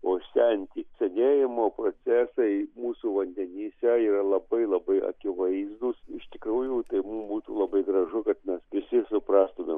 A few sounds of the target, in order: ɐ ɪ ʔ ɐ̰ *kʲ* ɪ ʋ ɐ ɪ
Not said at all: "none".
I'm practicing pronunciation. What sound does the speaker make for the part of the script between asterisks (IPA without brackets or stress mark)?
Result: kʲ